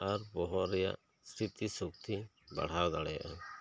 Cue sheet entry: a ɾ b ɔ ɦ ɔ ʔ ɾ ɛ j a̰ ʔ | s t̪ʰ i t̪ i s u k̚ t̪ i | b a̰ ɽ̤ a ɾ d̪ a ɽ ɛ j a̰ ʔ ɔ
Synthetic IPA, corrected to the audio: a ɾ b ɔ ɦ ɔ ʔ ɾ ɛ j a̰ ʔ | s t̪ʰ i t̪ i s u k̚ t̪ i | b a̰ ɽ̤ a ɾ d̪ a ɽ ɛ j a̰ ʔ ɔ